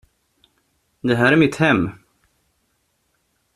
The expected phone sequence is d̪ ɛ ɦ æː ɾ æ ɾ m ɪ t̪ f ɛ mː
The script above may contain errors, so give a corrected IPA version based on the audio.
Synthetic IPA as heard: d̪ ɛ ɦ æː ɾ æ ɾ m ɪ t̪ h ɛ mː